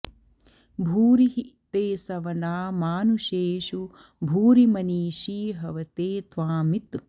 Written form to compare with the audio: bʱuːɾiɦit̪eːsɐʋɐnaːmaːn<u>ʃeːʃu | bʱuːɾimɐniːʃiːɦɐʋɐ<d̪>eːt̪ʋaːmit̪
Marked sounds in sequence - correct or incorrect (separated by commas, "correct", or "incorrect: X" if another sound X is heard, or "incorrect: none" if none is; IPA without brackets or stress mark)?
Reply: correct, incorrect: t̪